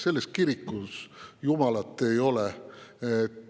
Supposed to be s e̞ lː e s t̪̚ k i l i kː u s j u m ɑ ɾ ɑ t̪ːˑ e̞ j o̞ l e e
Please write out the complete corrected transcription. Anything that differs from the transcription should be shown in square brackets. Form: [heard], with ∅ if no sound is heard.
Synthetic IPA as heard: s e̞ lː e s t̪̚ k i [ɾ] i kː u s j u m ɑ [l] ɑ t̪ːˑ e̞ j o̞ l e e